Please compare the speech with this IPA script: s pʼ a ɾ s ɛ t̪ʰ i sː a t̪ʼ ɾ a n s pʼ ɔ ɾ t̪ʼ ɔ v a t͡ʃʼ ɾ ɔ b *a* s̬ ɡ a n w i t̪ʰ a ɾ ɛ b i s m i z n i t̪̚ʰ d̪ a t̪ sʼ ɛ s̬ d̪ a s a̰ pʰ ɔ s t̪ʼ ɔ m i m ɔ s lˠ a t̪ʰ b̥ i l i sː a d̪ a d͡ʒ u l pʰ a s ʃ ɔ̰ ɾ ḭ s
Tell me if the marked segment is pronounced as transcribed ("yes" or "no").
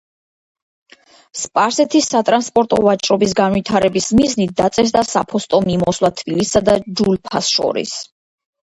no